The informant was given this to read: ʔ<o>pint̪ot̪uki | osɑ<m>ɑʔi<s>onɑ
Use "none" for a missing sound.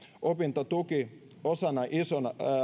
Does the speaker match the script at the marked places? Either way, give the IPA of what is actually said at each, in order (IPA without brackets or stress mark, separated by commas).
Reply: o, n, s